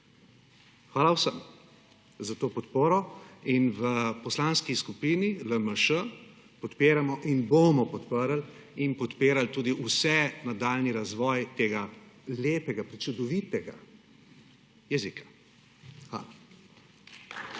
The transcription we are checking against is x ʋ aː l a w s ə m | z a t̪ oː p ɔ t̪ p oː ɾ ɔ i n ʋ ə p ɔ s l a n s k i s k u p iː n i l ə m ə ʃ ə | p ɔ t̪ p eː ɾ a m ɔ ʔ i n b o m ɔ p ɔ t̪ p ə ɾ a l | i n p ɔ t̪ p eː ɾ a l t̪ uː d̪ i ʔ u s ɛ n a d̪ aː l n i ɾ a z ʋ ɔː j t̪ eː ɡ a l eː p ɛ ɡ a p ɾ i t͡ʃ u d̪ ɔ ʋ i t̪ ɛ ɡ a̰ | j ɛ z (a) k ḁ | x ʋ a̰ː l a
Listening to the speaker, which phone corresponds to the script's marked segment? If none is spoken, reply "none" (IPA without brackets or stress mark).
i